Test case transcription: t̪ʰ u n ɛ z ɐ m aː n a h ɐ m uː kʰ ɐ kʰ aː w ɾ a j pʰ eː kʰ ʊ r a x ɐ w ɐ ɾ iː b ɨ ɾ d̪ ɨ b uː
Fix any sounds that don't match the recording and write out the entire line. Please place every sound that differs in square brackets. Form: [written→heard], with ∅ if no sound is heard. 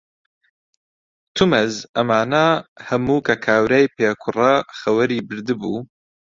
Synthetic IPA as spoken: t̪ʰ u [n→m] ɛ z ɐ m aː n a h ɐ m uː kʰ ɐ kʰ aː w ɾ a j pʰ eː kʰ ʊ r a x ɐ w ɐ ɾ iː b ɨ ɾ d̪ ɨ b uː